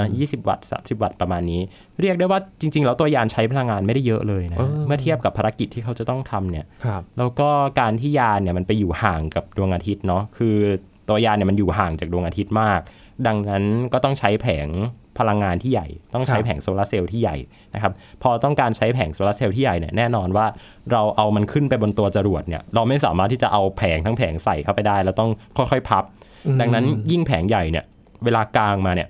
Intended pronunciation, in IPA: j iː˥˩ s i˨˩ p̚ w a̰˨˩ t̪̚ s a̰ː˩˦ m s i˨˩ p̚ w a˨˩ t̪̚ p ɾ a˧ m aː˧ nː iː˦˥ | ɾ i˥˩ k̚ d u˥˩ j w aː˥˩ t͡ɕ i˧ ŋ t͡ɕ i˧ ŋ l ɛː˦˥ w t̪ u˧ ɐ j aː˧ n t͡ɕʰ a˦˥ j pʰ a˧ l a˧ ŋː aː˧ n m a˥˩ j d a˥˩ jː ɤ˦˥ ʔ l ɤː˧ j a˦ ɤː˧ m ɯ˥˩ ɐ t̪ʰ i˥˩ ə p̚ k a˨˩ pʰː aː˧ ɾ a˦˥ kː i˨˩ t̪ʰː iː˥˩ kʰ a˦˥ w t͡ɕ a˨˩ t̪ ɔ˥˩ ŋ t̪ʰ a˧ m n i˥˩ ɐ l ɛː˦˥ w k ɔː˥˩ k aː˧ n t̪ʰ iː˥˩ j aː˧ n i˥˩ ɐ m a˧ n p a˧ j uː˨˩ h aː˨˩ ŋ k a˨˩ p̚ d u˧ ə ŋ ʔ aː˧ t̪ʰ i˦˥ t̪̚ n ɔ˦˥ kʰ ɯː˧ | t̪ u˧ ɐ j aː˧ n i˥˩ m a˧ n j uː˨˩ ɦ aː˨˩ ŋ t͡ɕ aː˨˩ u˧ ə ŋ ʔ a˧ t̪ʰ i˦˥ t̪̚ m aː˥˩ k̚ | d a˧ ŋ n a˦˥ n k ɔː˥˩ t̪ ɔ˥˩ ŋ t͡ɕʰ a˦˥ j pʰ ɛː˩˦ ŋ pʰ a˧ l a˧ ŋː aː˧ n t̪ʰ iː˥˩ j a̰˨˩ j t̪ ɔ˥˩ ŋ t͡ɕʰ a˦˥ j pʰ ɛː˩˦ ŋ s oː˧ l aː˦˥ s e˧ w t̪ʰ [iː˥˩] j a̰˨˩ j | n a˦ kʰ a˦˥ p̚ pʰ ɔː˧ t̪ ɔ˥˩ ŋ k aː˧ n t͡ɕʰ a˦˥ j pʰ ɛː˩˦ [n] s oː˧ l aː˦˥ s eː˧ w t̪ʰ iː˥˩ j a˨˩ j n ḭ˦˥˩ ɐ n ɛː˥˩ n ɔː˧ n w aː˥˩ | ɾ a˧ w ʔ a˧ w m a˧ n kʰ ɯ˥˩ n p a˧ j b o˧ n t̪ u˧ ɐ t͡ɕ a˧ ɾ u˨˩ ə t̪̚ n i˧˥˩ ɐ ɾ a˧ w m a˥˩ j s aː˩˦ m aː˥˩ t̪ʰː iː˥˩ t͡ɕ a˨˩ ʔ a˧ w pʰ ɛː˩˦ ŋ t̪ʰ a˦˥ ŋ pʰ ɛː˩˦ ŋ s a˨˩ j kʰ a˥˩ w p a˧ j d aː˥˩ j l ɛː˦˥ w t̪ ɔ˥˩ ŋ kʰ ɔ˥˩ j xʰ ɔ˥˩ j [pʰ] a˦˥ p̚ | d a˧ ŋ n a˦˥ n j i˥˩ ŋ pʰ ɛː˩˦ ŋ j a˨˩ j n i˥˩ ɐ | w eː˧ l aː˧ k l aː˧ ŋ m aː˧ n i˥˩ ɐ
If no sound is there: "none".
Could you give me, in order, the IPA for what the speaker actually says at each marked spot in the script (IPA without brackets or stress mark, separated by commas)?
iː˥˩, ŋ, pʰ